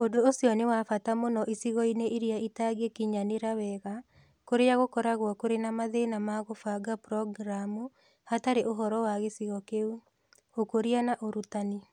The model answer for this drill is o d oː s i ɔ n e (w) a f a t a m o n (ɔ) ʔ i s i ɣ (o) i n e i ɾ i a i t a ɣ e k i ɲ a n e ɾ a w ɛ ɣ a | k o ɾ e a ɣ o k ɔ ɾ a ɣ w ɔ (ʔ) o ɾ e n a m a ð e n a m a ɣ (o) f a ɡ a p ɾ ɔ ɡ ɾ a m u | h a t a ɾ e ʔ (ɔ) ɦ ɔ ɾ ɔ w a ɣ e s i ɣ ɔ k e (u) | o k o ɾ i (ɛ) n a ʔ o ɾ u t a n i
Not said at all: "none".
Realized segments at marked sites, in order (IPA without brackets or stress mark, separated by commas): w, ɔ, ɔ, k, o, o, u, a